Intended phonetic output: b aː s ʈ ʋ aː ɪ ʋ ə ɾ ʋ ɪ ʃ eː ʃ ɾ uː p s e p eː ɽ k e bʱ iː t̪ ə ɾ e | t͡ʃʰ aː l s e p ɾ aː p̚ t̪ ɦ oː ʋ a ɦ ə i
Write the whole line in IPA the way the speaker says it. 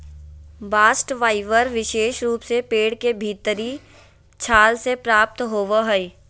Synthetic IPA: b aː s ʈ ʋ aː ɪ ʋ ə ɾ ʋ ɪ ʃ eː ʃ ɾ uː p s e p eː ɽ k e bʱ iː t̪ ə ɾ i | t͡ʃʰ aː l s e p ɾ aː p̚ t̪ ɦ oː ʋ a ɦ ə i